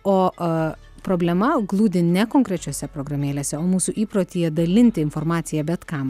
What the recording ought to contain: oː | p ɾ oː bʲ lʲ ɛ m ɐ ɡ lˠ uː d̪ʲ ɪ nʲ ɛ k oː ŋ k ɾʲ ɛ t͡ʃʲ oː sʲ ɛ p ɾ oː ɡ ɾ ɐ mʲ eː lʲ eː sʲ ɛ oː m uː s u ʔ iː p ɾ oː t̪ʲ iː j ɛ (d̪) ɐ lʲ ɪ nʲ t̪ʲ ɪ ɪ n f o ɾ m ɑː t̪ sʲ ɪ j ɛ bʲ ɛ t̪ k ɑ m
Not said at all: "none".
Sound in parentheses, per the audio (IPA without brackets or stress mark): d̪